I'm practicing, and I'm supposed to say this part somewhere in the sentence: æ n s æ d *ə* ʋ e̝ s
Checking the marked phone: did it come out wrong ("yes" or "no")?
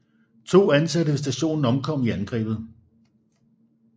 no